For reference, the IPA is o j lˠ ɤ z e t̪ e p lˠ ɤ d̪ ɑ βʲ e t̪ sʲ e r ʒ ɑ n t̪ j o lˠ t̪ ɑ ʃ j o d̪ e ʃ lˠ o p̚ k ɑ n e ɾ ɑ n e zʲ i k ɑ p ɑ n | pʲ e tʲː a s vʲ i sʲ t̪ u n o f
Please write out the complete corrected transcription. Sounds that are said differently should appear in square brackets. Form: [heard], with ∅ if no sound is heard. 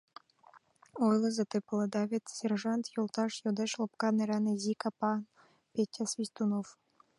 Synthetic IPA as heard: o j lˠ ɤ z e t̪ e p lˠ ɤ d̪ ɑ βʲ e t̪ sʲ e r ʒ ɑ n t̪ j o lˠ t̪ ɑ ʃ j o d̪ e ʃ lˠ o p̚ k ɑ n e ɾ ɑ n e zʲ i k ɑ p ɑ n | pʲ e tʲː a s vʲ i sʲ t̪ u n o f